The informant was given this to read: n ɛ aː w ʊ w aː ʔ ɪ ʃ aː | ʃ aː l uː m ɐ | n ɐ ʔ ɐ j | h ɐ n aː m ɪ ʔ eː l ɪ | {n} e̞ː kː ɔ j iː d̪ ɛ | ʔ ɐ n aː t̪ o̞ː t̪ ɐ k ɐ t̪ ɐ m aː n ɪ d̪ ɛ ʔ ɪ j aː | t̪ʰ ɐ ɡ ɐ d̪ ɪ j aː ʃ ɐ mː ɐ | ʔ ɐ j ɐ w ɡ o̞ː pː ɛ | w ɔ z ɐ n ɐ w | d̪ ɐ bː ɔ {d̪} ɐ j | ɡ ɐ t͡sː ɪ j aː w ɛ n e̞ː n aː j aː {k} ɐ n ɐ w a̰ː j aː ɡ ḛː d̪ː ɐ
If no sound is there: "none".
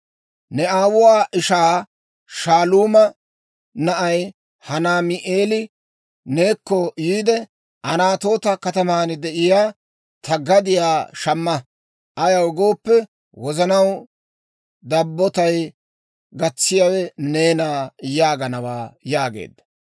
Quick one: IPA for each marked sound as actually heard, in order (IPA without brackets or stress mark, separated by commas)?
n, t̪, ɡ